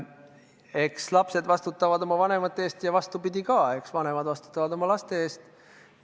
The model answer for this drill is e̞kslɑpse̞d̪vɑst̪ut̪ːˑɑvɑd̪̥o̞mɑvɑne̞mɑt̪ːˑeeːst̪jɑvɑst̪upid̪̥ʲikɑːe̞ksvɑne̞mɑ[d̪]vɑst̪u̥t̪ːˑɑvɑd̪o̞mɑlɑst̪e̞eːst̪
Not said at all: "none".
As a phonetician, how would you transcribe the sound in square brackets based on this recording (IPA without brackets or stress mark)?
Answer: d̪